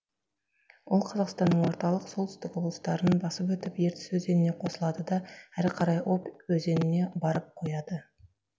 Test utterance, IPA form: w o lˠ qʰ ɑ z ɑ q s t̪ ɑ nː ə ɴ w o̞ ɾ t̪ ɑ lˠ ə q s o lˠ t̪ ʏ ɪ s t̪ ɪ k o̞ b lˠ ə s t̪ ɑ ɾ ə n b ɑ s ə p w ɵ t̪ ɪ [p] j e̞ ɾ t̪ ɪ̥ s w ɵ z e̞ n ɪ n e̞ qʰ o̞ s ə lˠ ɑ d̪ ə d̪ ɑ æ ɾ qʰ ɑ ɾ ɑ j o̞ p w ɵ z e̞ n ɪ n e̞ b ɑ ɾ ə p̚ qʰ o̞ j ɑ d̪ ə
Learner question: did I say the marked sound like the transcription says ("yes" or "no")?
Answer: yes